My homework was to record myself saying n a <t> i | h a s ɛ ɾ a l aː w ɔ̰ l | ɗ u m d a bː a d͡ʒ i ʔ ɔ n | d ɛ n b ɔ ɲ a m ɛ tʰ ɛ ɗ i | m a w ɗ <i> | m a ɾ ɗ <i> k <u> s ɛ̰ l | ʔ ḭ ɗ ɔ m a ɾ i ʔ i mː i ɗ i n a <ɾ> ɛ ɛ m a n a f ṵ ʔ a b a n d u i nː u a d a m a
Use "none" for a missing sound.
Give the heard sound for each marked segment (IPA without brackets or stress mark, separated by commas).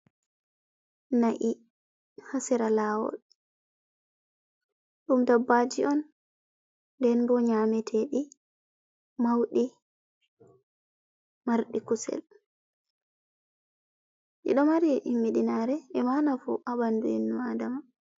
ʔ, i, i, u, ɾ